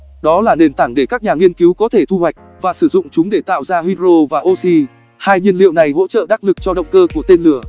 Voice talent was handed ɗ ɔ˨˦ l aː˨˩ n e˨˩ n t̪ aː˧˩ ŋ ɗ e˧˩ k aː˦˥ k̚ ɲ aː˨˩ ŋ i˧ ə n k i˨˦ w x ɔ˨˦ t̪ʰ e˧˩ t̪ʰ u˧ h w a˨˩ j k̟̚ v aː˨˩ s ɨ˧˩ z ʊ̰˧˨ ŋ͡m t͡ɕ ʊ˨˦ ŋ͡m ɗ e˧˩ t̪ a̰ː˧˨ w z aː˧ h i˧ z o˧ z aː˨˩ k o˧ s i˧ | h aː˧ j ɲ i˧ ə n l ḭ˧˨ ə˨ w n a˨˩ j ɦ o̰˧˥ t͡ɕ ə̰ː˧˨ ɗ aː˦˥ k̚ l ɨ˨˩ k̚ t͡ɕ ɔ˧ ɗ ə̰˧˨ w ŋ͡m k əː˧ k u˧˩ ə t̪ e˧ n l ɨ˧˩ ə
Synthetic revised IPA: ɗ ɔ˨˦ l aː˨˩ n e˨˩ n t̪ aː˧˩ ŋ ɗ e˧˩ k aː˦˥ k̚ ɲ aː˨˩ ŋ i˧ ə n k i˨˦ w k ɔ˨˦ t̪ʰ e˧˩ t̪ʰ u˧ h w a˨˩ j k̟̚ v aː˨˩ s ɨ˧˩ z ʊ̰˧˨ ŋ͡m t͡ɕ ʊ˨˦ ŋ͡m ɗ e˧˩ t̪ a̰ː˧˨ w z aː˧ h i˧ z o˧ v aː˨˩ ʔ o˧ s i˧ | h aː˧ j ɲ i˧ ə n l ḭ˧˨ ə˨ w n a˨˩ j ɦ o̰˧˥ t͡ɕ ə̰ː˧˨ ɗ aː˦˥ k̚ l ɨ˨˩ k̚ t͡ɕ ɔ˧ ɗ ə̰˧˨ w ŋ͡m k əː˧ k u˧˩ ə t̪ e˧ n l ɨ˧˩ ə